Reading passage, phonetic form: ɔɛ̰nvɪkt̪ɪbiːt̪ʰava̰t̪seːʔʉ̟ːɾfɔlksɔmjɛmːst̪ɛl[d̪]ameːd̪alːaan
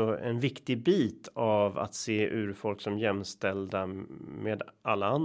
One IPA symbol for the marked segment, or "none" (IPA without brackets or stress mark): d̪